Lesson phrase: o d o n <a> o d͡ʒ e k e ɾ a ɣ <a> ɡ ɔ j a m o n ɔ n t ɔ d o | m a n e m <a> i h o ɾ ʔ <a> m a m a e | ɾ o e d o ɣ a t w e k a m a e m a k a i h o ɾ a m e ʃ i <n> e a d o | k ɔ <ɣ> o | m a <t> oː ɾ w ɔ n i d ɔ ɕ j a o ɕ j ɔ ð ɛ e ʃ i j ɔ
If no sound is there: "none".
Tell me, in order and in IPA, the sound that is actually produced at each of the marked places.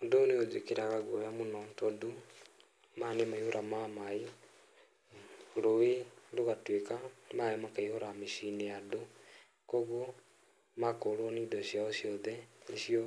e, a, a, a, n, ɣ, k

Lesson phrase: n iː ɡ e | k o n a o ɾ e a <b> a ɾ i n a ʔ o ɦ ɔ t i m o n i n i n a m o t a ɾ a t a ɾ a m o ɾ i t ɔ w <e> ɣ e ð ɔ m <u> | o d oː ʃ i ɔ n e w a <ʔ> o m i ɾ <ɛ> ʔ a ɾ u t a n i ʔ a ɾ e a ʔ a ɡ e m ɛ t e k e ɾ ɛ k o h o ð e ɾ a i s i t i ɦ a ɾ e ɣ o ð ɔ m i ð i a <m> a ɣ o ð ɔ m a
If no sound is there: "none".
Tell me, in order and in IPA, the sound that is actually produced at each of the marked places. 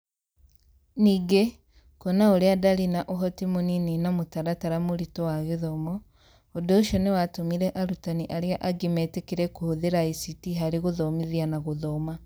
d, a, ɔ, t, ɛ, n

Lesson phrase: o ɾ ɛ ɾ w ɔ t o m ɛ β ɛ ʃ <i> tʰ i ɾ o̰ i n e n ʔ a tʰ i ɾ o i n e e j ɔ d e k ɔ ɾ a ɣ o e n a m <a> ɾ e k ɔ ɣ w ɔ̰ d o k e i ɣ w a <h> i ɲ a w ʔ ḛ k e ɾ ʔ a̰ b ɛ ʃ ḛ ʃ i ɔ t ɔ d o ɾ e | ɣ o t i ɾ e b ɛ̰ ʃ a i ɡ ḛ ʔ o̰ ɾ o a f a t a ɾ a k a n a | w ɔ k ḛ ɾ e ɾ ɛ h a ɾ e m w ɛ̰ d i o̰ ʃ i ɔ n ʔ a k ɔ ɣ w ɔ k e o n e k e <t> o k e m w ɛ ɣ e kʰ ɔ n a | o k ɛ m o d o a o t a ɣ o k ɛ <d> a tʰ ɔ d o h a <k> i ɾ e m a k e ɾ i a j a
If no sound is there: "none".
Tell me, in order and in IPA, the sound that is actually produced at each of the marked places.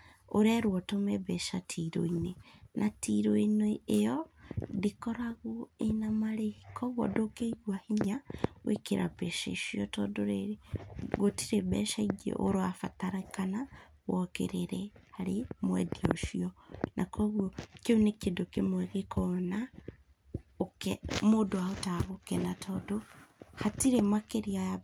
a, a, h, d, n, t

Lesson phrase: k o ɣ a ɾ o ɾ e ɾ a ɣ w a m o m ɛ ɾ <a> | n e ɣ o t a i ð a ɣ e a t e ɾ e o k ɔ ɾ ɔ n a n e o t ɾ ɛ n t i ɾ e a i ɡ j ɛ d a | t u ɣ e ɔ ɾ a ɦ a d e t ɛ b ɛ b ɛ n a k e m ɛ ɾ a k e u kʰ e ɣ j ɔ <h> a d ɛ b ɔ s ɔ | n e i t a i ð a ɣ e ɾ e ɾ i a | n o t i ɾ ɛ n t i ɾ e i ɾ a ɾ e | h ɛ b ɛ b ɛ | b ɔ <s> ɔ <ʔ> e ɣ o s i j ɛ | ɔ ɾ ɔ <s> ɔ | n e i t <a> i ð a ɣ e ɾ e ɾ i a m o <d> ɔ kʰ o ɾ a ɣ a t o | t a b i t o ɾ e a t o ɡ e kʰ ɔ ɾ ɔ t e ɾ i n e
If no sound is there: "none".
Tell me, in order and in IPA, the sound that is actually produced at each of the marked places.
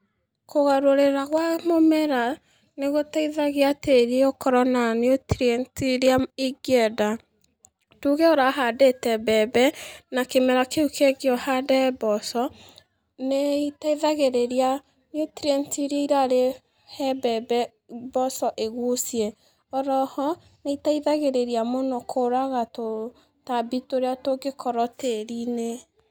a, h, s, ʔ, h, a, n

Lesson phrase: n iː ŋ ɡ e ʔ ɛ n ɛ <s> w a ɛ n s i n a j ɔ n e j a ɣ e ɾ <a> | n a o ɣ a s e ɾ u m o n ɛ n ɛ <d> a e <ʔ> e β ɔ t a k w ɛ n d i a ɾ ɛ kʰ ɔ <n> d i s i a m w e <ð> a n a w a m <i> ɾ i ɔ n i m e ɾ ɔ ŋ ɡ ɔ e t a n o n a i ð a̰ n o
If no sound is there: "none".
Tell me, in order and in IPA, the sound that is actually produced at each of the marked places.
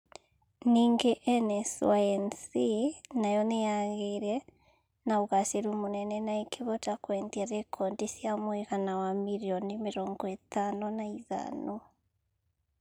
s, ɛ, n, k, n, ɣ, i

